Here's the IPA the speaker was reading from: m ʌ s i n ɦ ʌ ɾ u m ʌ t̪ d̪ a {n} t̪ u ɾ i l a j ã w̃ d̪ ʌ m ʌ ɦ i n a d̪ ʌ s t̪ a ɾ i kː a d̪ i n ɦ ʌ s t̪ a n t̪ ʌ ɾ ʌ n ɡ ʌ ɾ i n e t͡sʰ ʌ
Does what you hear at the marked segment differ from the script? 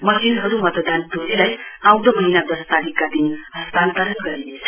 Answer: no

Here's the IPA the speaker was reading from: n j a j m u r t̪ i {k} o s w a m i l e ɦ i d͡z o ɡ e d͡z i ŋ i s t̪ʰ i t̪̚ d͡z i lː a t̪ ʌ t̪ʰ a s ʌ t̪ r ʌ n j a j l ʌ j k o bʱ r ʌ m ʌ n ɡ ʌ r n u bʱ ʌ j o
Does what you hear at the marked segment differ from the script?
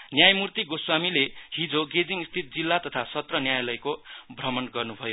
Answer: yes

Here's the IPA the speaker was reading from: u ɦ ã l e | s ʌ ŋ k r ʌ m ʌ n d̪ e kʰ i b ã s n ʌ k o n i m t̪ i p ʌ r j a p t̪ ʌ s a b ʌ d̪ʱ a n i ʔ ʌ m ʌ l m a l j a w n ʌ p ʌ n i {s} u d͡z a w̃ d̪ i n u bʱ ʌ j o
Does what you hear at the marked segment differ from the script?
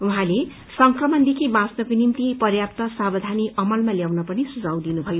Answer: no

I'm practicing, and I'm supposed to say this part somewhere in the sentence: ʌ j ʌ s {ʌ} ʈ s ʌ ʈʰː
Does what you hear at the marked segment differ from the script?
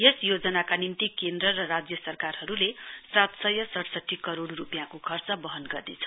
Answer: no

